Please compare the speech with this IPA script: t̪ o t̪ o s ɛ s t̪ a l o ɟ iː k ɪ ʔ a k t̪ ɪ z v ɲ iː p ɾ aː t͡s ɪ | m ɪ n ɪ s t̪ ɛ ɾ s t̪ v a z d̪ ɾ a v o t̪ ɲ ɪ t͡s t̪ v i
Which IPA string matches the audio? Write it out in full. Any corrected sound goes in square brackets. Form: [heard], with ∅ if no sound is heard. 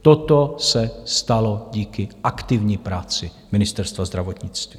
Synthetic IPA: t̪ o t̪ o s ɛ s t̪ a l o ɟ iː k ɪ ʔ a k t̪ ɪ [∅] v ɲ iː p ɾ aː t͡s ɪ | m ɪ n ɪ s t̪ ɛ ɾ s t̪ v a z d̪ ɾ a v o t̪ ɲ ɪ t͡s t̪ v i